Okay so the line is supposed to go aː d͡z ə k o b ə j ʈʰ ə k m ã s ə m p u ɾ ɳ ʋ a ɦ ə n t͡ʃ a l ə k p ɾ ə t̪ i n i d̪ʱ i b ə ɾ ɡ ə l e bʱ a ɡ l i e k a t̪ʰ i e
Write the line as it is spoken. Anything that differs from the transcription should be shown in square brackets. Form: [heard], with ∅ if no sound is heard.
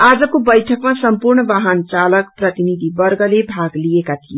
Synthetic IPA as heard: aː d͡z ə k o b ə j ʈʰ ə k m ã s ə m p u ɾ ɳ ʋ a ɦ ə n t͡ʃ a l ə k p ɾ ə t̪ i n i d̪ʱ i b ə ɾ ɡ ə l e bʱ a ɡ l i e k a t̪ʰ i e